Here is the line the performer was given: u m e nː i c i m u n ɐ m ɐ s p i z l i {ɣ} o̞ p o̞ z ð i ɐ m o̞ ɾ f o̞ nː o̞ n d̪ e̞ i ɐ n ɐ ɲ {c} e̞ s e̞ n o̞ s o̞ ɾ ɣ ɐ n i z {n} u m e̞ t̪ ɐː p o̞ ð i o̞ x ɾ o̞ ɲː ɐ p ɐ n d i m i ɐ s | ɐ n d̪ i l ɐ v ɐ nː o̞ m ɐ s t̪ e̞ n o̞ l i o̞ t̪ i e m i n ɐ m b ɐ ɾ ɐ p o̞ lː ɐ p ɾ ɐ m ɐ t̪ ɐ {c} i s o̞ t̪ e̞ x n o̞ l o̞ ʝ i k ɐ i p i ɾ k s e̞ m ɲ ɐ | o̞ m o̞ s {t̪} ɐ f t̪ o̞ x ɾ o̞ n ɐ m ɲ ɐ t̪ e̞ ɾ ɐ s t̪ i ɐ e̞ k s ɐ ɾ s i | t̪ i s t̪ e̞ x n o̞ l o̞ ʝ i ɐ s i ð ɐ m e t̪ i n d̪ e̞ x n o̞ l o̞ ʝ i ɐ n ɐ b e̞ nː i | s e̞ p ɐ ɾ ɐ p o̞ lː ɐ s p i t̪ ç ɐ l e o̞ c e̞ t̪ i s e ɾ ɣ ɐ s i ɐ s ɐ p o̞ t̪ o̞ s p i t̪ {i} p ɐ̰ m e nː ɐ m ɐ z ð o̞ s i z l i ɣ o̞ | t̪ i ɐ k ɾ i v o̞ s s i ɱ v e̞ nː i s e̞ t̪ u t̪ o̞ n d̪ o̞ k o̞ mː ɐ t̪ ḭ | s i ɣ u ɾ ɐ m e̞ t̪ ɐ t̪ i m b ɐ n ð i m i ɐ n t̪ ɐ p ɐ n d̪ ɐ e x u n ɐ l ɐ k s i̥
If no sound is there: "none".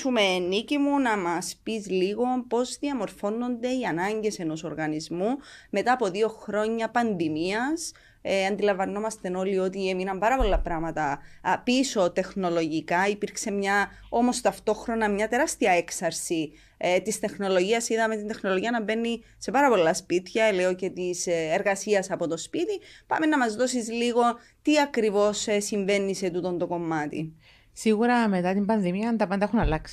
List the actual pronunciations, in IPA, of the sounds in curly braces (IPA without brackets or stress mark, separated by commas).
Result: ɣ, ɟ, m, p, t̪, i